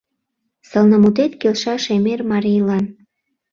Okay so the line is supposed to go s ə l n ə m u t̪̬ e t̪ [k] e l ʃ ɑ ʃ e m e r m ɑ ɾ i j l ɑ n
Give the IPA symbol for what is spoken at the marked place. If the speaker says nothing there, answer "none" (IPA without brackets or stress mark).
k